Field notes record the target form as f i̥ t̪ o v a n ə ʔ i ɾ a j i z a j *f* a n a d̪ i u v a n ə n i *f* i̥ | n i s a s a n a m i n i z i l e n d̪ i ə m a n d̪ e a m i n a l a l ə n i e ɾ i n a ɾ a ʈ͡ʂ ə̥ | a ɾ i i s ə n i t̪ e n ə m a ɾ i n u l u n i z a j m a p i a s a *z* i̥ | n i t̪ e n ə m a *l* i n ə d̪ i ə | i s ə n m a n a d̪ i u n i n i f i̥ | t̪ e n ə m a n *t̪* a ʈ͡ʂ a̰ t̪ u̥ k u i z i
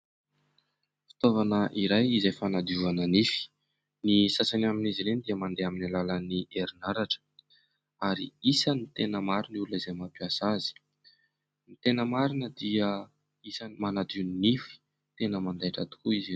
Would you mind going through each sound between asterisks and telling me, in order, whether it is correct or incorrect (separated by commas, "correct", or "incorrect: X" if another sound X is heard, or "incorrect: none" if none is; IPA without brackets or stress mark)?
correct, correct, correct, incorrect: ɾ, incorrect: d̪